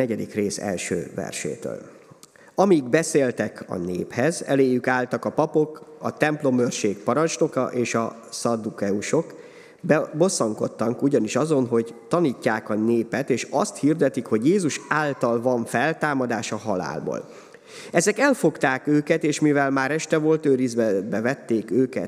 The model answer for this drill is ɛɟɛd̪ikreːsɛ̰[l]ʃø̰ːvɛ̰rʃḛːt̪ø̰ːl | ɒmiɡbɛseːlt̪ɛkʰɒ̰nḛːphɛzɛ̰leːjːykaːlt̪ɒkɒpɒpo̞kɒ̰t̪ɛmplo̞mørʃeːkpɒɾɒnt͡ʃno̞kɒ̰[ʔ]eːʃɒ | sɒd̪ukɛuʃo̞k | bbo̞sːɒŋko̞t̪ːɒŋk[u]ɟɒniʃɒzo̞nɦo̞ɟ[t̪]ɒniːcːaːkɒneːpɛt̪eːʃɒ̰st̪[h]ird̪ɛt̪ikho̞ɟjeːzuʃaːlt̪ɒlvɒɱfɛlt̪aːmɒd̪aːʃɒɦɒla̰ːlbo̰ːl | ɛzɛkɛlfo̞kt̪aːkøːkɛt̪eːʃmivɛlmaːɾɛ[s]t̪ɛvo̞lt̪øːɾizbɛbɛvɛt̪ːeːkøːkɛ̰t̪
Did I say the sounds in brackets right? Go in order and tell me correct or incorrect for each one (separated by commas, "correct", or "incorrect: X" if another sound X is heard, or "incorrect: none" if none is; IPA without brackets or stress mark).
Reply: correct, correct, correct, correct, correct, incorrect: ʃ